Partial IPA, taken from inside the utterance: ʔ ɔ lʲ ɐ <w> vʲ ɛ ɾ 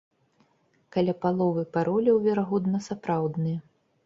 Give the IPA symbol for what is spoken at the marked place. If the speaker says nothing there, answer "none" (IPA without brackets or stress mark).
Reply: w